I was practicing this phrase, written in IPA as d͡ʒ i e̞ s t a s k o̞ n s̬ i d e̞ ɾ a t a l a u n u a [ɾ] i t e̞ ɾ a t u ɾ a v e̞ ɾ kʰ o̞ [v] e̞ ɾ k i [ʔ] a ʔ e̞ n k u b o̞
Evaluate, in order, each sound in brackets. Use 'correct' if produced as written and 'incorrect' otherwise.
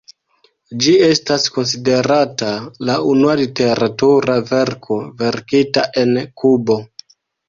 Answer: incorrect: l, correct, incorrect: t

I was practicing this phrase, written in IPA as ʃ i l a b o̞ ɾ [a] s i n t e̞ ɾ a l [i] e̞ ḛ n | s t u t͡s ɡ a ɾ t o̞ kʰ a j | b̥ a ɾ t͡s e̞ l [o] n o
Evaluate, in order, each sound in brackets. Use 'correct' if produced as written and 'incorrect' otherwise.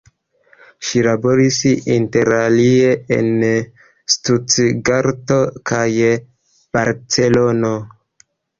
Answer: incorrect: i, correct, correct

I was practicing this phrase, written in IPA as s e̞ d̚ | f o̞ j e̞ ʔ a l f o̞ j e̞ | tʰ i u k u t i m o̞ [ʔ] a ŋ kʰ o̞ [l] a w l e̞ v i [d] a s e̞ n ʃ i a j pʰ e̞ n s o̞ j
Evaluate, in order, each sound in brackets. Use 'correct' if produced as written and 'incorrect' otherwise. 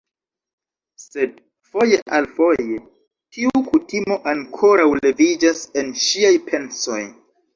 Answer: correct, incorrect: ɾ, incorrect: d͡ʒ

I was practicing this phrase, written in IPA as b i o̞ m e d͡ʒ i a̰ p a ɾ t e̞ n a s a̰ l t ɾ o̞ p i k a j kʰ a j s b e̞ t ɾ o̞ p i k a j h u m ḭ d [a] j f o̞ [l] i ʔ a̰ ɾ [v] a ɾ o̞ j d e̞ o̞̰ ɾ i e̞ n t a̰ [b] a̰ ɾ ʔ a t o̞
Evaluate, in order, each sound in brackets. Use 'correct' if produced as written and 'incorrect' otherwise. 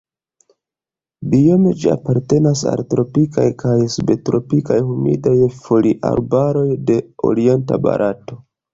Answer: correct, correct, incorrect: b, correct

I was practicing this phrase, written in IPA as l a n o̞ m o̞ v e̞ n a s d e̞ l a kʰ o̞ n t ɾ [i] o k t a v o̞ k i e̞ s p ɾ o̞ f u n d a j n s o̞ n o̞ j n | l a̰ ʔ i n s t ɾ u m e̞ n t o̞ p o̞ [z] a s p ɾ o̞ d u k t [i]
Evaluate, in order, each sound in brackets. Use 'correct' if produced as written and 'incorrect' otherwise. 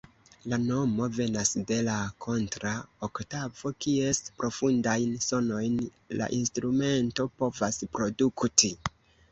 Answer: incorrect: a, incorrect: v, correct

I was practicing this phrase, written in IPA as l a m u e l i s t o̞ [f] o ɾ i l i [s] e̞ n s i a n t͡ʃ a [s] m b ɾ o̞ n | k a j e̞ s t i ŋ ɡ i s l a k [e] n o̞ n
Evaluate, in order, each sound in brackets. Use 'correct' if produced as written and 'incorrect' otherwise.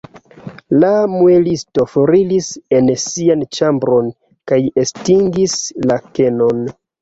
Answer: correct, correct, incorrect: none, correct

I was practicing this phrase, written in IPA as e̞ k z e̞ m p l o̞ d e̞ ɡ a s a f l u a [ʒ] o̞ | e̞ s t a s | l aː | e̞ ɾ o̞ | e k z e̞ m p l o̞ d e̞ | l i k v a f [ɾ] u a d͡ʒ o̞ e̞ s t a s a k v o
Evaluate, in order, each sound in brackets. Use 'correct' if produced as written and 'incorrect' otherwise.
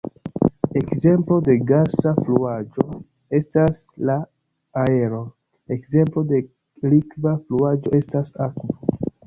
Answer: incorrect: d͡ʒ, incorrect: l

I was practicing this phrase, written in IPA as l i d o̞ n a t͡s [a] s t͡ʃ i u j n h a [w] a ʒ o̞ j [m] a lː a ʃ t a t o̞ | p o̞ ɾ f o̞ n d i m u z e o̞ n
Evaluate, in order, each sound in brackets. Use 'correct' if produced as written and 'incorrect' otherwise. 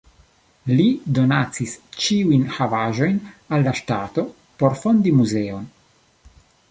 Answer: incorrect: i, incorrect: v, incorrect: n

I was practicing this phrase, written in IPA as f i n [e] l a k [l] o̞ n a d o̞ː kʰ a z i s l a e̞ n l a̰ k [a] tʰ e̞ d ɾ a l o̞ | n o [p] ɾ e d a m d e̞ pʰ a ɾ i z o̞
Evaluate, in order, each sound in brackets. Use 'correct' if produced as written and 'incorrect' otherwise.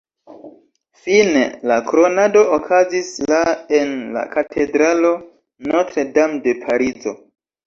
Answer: correct, incorrect: ɾ, correct, incorrect: t

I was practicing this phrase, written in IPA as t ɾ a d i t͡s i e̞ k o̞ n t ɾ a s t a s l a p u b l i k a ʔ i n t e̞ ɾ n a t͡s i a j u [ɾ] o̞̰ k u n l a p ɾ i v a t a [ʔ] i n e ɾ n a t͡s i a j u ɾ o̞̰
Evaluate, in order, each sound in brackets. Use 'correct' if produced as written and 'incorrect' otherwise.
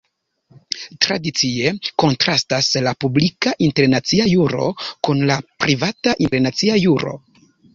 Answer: correct, correct

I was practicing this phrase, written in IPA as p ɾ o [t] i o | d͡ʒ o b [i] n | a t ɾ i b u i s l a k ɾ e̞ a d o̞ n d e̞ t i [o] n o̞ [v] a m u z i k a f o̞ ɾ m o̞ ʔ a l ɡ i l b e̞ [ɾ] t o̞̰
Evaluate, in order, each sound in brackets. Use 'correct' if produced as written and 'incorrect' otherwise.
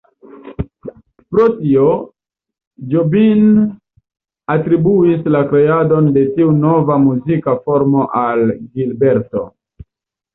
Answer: correct, correct, incorrect: u, correct, correct

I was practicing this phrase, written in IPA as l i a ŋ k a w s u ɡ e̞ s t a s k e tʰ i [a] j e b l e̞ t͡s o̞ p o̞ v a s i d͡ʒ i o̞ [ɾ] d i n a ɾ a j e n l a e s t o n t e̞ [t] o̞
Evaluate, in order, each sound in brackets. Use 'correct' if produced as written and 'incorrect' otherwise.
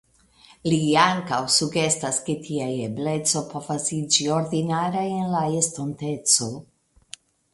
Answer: correct, correct, incorrect: t͡s

